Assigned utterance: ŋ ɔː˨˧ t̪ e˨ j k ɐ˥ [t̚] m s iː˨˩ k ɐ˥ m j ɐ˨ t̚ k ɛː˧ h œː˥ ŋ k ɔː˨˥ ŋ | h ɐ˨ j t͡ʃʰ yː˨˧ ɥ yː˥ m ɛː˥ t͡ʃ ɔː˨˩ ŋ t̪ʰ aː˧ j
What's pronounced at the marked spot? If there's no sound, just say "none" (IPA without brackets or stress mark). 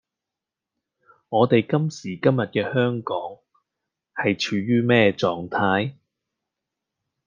none